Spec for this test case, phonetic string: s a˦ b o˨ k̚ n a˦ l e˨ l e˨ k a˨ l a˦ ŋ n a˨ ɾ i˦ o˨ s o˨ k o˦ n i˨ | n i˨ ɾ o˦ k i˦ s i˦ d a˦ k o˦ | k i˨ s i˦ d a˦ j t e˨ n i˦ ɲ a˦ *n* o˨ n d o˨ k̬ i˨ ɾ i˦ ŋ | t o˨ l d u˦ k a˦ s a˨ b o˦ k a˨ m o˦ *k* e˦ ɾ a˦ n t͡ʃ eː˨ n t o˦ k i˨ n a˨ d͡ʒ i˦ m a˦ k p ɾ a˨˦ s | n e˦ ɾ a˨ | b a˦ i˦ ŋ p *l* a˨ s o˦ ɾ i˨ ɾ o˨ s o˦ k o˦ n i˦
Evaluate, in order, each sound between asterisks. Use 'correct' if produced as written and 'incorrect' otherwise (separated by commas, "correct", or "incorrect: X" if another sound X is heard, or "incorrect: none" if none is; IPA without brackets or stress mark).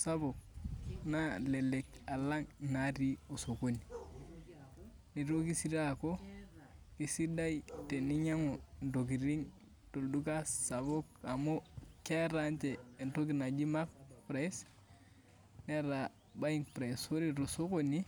incorrect: ŋ, correct, incorrect: ɾ